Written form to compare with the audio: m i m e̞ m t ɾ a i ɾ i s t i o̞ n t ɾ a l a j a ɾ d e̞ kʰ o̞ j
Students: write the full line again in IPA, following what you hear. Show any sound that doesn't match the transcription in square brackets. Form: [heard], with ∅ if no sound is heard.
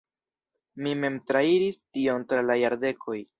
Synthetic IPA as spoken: m i m e̞ m t ɾ a i ɾ i s t i o̞ n t ɾ a l a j a ɾ d e̞ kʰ o̞ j